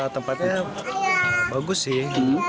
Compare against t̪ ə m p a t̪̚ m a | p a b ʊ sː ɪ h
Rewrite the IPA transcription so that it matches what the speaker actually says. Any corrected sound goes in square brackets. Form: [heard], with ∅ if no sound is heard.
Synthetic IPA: t̪ ə m p a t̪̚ [ɲ] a | [b] a [ɡ] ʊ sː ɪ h